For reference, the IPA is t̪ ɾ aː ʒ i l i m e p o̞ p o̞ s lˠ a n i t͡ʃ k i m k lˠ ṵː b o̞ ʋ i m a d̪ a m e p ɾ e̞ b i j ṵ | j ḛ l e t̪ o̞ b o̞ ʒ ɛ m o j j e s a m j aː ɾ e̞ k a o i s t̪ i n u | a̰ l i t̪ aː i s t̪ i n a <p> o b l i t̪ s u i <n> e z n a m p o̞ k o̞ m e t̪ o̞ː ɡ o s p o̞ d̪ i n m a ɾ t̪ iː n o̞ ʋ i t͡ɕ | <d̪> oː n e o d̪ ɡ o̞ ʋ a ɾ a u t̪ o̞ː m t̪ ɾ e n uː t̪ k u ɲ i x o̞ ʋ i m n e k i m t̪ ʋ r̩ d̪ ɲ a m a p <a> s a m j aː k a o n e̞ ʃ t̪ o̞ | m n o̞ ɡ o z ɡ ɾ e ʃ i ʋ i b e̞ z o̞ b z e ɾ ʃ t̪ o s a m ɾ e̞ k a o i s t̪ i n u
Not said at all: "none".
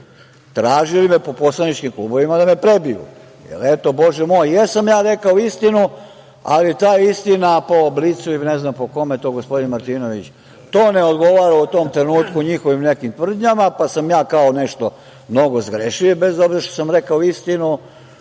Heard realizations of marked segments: p, n, t̪, a

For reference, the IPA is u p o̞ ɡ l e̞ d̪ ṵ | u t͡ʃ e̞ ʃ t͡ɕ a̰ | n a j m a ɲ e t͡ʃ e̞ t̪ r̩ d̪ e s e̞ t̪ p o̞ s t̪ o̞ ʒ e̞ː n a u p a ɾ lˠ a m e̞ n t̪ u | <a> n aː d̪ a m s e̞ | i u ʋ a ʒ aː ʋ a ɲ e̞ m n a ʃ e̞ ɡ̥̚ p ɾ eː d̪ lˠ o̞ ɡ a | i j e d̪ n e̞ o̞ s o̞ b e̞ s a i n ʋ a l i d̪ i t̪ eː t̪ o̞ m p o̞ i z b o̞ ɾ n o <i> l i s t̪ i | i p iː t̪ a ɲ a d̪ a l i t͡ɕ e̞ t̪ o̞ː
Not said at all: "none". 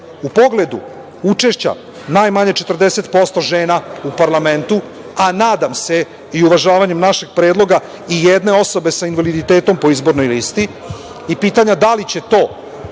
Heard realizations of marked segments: a, j

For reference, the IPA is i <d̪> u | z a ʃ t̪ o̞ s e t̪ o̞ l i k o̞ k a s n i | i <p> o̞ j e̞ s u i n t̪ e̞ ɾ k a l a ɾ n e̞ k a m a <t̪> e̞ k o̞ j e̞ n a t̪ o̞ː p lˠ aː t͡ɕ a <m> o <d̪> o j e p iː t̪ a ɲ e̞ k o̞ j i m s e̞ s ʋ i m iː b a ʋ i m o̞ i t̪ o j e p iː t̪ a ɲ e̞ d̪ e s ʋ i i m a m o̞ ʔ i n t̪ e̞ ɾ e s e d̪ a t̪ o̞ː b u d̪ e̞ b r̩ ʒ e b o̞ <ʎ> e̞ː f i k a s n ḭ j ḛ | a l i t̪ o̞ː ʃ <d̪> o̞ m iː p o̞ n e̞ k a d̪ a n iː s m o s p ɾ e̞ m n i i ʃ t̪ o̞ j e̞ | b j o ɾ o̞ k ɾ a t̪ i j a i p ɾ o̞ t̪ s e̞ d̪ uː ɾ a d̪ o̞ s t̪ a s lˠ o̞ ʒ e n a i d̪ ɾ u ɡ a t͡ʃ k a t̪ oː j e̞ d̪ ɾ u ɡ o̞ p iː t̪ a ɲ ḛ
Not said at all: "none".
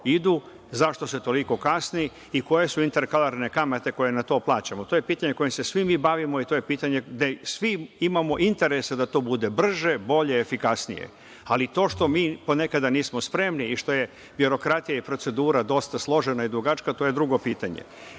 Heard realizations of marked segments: d̪, k, t̪, m, t̪, ʎ, t̪

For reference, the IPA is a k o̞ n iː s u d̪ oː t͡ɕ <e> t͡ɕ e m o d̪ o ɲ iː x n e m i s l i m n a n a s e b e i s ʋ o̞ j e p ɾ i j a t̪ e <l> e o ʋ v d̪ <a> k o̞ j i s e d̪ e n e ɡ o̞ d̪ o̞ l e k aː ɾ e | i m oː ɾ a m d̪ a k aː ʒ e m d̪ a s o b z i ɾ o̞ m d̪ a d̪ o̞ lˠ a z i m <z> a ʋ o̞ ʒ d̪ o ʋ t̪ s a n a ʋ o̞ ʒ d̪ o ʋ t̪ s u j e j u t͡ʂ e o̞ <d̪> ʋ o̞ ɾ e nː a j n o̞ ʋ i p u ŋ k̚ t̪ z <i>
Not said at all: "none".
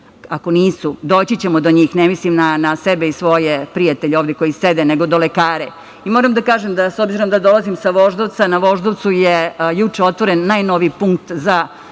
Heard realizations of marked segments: i, ʎ, e, s, t̪, a

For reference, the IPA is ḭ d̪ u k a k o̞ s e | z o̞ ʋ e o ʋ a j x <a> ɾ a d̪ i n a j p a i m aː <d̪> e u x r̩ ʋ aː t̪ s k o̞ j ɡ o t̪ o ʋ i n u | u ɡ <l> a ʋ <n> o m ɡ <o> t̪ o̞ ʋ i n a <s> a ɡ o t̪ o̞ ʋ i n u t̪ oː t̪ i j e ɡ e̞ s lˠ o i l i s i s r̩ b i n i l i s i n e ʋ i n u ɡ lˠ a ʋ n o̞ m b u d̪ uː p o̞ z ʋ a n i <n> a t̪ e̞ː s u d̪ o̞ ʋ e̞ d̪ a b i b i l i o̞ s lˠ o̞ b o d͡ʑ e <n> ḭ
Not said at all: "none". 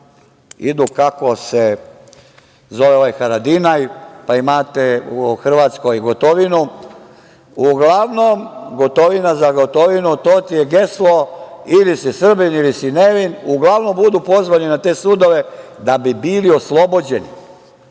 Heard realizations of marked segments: a, t̪, l, n, o, z, n, n

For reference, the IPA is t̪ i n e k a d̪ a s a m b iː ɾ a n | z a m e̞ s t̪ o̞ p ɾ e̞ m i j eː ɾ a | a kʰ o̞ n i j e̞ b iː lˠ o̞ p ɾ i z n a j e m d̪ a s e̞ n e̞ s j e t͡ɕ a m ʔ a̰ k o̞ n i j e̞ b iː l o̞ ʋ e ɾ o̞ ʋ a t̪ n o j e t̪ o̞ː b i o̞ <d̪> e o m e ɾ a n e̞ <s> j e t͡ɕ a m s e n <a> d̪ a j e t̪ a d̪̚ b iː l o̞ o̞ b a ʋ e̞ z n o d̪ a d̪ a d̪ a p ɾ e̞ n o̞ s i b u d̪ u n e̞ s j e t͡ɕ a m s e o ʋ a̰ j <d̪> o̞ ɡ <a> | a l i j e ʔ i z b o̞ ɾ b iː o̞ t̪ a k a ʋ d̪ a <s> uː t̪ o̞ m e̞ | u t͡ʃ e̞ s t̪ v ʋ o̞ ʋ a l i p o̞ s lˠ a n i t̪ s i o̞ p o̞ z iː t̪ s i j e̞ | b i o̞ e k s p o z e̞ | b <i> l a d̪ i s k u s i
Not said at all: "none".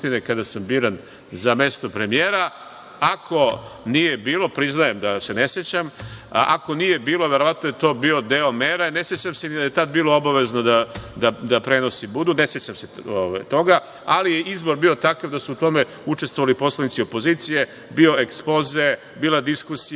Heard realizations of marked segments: d̪, s, i, t̪, a, s, iː

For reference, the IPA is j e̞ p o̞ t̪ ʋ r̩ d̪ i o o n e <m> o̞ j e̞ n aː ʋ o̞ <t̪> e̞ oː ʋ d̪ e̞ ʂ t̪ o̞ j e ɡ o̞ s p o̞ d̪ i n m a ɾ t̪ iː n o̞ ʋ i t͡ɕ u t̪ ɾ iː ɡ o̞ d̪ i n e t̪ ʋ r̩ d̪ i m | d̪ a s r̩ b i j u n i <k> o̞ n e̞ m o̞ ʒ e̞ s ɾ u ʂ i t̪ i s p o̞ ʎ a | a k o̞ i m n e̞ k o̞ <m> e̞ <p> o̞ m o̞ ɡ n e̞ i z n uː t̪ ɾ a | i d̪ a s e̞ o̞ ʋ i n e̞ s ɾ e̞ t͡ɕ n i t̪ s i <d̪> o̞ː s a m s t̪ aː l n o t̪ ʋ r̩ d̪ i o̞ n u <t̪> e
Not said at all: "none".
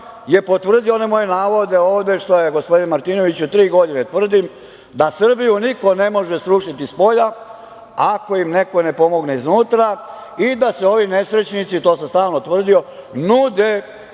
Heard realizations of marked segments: m, d̪, k, n, p, t̪, d̪

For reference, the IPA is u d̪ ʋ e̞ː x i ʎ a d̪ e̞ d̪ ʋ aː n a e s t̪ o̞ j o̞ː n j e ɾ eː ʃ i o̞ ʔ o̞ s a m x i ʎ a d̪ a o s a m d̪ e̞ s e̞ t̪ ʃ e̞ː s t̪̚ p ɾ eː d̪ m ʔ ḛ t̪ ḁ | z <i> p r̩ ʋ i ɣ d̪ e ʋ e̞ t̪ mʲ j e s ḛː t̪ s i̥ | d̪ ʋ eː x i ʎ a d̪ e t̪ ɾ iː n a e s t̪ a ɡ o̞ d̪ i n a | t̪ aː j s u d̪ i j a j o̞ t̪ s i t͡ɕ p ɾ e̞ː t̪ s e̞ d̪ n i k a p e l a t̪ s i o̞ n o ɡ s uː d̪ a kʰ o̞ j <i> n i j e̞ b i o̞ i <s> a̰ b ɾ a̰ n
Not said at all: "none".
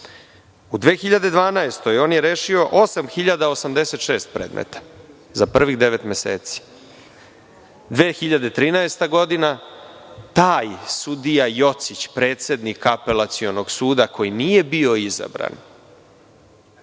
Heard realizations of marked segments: a, i, z

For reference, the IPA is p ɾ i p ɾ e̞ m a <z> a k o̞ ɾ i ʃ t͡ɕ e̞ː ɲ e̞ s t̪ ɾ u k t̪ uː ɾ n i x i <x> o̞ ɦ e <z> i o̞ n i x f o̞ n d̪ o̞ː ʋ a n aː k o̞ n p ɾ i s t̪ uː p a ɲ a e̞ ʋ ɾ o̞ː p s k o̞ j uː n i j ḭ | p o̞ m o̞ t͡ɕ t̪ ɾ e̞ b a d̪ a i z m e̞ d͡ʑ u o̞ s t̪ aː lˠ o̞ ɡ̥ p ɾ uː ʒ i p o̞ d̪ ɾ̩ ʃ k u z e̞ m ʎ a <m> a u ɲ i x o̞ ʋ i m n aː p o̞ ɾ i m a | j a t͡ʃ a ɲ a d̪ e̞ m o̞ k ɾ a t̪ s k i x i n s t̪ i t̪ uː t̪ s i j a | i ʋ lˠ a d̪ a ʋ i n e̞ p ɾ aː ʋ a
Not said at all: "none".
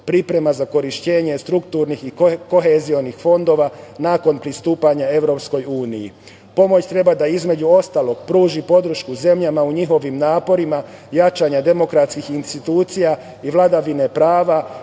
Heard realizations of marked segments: z, k, z, m

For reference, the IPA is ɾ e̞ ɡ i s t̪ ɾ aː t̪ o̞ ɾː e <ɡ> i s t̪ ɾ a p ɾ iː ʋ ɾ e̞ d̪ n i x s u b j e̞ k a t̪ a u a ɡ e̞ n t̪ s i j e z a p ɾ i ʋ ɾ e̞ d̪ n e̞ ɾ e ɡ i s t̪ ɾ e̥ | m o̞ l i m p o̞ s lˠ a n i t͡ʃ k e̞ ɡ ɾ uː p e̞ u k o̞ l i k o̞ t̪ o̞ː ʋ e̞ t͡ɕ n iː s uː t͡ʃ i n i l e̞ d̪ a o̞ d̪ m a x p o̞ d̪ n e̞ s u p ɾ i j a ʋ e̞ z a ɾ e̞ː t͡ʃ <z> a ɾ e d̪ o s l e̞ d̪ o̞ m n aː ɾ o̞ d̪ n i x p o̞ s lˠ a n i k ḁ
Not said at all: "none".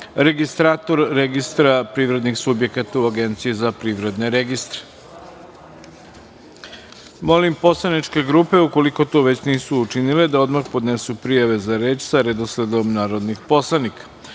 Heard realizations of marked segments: ɡ, s

